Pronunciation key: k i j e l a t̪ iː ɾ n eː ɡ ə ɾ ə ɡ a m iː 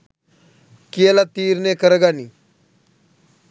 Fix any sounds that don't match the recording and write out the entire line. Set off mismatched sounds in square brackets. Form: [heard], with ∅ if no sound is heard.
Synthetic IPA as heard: k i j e l a t̪ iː ɾ n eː [k] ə ɾ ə ɡ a [n] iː